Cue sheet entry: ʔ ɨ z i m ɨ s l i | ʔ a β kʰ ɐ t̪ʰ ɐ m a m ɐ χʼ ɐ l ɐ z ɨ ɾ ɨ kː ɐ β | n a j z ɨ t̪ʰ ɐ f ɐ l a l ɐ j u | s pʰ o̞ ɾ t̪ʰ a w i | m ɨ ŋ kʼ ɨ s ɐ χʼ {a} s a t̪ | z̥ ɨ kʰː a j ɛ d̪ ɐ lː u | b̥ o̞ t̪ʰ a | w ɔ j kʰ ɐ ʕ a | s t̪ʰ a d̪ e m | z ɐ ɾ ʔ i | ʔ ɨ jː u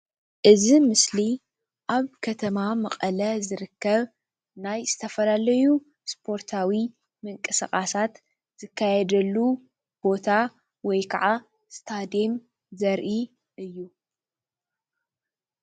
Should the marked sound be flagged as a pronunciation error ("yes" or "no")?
no